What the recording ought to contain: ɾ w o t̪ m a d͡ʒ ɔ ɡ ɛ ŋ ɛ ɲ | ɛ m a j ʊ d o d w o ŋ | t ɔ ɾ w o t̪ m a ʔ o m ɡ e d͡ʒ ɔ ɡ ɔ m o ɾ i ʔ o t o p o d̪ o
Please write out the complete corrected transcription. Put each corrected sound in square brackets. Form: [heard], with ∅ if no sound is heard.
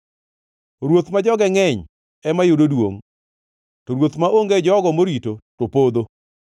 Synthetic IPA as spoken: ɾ w o t̪ m a d͡ʒ ɔ ɡ ɛ ŋ ɛ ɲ | ɛ m a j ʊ d o d w o ŋ | t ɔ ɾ w o t̪ m a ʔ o [ŋ] ɡ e d͡ʒ ɔ ɡ ɔ m o ɾ i [t] o t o p o d̪ o